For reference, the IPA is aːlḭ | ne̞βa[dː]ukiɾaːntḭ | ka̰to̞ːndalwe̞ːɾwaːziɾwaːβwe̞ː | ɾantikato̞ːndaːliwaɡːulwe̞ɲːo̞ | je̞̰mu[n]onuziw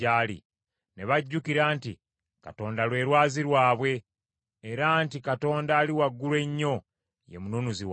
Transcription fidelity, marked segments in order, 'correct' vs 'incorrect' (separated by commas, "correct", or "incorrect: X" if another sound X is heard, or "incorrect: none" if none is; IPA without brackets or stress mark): incorrect: ɟː, correct